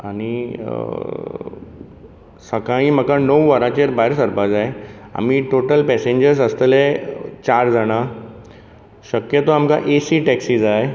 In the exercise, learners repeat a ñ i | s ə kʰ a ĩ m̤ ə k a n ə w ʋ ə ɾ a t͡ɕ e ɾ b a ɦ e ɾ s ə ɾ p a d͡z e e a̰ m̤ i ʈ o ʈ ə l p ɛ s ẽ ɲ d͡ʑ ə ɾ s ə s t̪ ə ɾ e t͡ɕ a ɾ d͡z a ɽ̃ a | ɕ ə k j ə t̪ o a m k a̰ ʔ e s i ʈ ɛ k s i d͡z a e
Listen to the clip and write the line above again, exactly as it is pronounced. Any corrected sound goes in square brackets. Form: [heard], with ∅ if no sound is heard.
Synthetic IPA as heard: a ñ i | s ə [k] a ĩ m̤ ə k a n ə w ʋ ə ɾ a t͡ɕ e ɾ b a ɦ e ɾ s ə ɾ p a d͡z [a] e a̰ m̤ i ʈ o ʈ ə l p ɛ s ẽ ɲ d͡ʑ ə ɾ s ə s t̪ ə [l] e t͡ɕ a ɾ d͡z a ɽ̃ a | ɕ ə k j ə t̪ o a m k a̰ ʔ e s i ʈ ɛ k s i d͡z a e